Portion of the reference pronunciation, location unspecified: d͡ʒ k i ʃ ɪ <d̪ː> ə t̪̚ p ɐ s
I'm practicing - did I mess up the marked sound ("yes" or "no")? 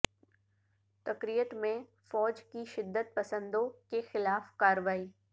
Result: no